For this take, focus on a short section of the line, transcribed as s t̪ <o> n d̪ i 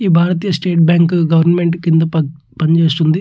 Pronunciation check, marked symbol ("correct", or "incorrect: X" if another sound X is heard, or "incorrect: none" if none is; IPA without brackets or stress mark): incorrect: u